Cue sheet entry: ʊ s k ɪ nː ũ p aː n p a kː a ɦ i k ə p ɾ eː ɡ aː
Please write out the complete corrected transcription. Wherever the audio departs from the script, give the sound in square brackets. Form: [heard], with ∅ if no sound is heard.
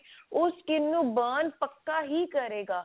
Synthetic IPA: ʊ s k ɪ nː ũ [b] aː n p [ə] kː a ɦ i k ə [∅] ɾ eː ɡ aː

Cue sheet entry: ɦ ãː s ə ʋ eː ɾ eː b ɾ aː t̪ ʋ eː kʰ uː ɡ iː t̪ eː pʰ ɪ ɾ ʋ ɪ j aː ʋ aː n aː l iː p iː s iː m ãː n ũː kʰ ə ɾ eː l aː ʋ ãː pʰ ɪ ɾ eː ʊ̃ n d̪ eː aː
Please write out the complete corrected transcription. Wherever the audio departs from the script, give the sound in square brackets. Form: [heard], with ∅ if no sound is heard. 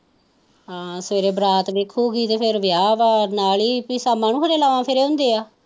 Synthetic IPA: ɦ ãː s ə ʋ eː ɾ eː b ɾ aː t̪ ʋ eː kʰ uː ɡ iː t̪ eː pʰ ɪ ɾ ʋ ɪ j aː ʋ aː n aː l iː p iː s [aː] m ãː n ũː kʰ ə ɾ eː l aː ʋ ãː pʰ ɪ ɾ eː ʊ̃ n d̪ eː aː

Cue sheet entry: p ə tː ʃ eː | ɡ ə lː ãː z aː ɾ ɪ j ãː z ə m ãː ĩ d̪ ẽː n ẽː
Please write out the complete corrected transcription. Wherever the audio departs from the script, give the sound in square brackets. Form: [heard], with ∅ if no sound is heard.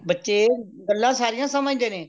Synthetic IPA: [b] ə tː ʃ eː | ɡ ə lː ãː [s] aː ɾ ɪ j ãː [s] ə m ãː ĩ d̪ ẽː n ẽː

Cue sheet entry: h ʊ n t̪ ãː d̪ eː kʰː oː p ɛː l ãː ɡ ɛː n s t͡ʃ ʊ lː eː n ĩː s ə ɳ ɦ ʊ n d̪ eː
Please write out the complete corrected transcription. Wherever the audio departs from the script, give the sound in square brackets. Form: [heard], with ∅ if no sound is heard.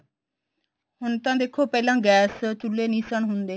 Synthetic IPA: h ʊ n t̪ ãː d̪ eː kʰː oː p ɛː l ãː ɡ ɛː [∅] s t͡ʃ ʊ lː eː n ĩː s ə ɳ ɦ ʊ n d̪ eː

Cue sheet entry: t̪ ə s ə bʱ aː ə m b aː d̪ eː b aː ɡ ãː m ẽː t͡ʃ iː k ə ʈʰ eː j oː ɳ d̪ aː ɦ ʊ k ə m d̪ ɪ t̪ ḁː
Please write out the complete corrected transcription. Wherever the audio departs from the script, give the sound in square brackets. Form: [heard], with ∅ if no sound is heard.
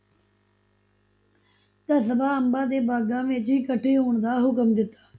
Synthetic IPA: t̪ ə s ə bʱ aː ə m b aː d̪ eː b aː ɡ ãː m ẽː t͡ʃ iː k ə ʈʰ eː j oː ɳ d̪ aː ɦ ʊ k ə m d̪ ɪ t̪ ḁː

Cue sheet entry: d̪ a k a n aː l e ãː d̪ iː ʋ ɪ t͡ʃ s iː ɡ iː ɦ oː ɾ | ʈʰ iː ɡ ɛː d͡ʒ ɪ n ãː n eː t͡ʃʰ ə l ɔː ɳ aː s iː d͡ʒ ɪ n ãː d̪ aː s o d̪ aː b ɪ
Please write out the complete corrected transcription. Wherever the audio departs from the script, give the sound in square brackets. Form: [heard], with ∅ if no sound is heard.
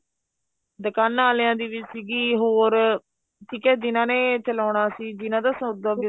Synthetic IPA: d̪ [ə] k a n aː l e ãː d̪ iː ʋ ɪ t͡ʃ s iː ɡ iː ɦ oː ɾ | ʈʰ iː [k] ɛː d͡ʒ ɪ n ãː n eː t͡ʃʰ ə l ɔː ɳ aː s iː d͡ʒ ɪ n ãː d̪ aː s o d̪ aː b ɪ

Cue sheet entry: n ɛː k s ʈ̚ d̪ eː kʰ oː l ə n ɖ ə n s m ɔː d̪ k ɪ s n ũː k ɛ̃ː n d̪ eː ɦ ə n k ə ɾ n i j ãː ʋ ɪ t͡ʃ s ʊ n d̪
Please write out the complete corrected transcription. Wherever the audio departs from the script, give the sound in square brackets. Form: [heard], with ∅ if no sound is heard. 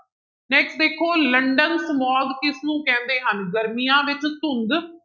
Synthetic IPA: n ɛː k s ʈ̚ d̪ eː kʰ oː l ə [ɳ] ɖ ə n s m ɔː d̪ k ɪ s n ũː k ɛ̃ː n d̪ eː ɦ ə n [ɡ] ə ɾ [m] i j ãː ʋ ɪ t͡ʃ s ʊ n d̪

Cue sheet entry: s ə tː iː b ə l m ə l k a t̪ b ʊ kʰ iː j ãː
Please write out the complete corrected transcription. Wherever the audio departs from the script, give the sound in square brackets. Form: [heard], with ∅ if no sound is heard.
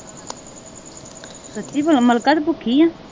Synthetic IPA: s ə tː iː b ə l m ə l k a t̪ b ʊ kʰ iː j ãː

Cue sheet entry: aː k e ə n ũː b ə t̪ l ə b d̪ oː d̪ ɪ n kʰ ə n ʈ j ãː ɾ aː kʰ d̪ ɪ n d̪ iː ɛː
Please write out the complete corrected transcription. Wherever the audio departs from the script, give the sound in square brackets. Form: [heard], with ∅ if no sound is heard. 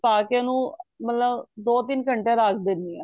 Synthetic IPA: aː k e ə n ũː [m] ə t̪ l ə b d̪ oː [t̪] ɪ n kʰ ə [ɳ] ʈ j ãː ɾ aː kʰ d̪ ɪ n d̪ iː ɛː

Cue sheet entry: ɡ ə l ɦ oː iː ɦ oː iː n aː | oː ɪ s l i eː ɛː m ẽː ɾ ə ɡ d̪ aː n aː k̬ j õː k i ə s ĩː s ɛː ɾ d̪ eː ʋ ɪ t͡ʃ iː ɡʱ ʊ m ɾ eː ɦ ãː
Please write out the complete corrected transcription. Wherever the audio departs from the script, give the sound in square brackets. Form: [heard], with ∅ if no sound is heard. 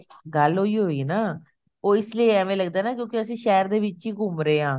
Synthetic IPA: ɡ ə l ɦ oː iː ɦ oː iː n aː | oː ɪ s l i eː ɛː m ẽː [l] ə ɡ d̪ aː n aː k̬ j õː k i ə s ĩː [ʃ] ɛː ɾ d̪ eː ʋ ɪ t͡ʃ iː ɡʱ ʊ m ɾ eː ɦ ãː

